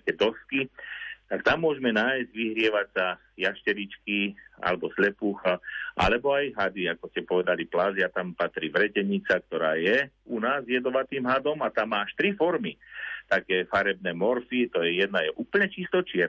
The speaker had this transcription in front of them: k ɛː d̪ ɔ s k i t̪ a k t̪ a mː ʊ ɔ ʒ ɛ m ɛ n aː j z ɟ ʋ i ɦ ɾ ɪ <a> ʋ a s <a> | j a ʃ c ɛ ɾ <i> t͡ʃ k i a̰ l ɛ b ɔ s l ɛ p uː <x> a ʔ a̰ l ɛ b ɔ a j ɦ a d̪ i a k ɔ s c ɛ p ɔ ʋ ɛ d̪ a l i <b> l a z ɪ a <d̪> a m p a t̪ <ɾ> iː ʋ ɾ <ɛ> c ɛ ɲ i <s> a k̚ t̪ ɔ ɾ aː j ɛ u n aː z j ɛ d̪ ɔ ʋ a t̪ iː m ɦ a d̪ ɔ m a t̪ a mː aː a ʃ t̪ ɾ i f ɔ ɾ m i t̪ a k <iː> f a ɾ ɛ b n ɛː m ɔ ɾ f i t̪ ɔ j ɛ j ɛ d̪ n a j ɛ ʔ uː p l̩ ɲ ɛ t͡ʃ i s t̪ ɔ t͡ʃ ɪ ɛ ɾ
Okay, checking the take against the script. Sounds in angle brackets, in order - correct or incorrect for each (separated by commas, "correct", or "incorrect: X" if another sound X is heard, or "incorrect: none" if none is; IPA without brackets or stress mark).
incorrect: ɛ, correct, correct, correct, incorrect: p, incorrect: t̪, correct, correct, incorrect: t͡s, incorrect: ɛː